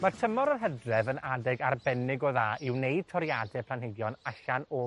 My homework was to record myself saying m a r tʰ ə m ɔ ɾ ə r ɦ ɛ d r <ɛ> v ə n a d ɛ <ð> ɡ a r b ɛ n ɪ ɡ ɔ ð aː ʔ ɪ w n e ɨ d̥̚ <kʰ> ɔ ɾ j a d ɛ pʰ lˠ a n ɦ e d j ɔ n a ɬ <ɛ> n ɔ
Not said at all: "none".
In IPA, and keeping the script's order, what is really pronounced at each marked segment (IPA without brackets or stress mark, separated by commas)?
ɛ, none, tʰ, a